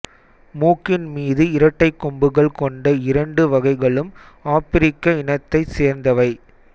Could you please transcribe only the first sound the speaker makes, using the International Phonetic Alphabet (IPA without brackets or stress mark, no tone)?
m